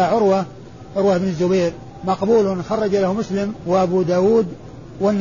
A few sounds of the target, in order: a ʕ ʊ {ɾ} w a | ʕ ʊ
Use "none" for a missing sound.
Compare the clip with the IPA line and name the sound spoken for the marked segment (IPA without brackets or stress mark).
ɾ